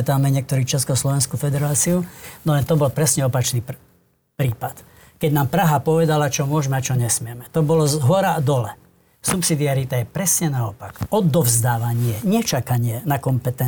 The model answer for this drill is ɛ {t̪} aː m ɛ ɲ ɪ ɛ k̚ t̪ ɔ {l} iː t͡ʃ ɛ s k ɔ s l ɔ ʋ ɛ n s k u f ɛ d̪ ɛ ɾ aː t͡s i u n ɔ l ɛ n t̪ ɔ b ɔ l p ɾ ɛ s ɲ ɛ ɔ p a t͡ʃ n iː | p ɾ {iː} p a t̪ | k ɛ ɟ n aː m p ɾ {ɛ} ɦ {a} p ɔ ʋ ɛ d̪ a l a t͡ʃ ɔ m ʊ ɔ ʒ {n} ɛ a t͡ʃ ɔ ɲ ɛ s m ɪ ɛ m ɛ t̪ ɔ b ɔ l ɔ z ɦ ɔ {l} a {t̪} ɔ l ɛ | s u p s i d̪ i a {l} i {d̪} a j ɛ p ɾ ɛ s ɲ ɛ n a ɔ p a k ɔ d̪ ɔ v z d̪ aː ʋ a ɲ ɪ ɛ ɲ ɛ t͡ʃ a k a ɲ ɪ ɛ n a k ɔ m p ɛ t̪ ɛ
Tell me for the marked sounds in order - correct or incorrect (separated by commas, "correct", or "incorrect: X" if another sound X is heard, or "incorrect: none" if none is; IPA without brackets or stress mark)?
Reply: correct, incorrect: ɾ, correct, incorrect: a, correct, incorrect: m, incorrect: ɾ, incorrect: d̪, incorrect: ɾ, incorrect: t̪